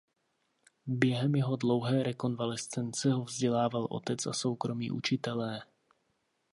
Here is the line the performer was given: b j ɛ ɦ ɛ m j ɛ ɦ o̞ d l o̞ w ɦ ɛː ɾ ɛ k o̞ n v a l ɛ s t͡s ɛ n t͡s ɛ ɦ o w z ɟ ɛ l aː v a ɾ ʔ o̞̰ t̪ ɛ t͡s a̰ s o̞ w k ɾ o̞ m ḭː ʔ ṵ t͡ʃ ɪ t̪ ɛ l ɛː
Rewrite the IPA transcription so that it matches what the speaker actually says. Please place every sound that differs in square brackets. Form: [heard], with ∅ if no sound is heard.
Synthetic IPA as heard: b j ɛ ɦ ɛ m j ɛ ɦ o̞ d l o̞ w ɦ ɛː ɾ ɛ k o̞ n v a l ɛ s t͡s ɛ n t͡s ɛ ɦ o [v] z ɟ ɛ l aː v a [l] ʔ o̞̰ t̪ ɛ t͡s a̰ s o̞ w k ɾ o̞ m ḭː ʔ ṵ t͡ʃ ɪ t̪ ɛ l ɛː